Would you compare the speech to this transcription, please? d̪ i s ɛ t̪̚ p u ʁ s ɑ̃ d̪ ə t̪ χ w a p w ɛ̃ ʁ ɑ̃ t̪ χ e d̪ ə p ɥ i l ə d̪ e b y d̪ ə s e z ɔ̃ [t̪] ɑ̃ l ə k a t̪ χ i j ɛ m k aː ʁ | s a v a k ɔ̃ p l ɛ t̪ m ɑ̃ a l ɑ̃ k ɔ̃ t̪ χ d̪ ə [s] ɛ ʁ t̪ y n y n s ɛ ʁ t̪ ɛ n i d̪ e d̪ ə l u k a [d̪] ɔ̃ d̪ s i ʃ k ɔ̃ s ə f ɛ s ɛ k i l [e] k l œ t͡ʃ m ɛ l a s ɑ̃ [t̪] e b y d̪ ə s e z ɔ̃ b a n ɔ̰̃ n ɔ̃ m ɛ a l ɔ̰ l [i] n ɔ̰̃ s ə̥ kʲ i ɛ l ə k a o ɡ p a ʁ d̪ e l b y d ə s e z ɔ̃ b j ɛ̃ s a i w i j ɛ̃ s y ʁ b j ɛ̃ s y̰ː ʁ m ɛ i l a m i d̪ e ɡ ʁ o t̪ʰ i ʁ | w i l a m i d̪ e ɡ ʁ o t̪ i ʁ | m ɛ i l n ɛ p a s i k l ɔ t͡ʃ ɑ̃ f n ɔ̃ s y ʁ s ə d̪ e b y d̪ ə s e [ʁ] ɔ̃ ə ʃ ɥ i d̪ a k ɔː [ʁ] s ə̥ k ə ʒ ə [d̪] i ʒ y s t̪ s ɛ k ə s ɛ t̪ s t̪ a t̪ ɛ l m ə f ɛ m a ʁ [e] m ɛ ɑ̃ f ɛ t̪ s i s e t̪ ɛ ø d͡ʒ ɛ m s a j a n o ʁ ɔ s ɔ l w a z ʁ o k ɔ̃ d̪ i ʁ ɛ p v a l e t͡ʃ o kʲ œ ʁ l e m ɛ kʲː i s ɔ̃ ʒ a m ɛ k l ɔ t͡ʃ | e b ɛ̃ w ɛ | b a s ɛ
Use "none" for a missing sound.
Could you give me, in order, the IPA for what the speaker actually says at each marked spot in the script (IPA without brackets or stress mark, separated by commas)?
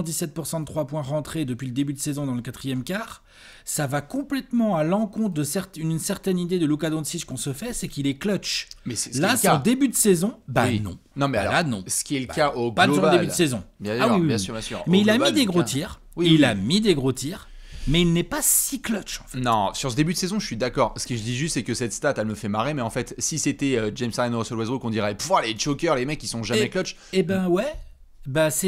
d̪, s, d̪, ɛ, d̪, a, z, ʁ, d̪, e